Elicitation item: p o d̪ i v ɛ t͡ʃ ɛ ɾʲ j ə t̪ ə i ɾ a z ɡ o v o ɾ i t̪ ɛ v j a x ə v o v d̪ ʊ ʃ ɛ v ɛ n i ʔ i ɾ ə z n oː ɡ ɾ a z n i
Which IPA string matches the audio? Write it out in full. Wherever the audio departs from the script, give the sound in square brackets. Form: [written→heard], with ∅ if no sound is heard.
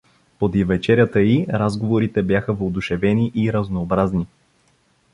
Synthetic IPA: p o d̪ i v ɛ t͡ʃ ɛ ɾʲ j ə t̪ ə i ɾ a z ɡ o v o ɾ i t̪ ɛ [v→b] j a x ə v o [v→∅] d̪ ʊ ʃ ɛ v ɛ n i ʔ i ɾ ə z n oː [ɡ→b] ɾ a z n i